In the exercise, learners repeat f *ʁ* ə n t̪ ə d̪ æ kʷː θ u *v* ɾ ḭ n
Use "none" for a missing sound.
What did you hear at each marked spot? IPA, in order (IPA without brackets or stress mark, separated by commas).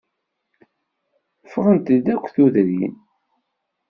ʁ, ð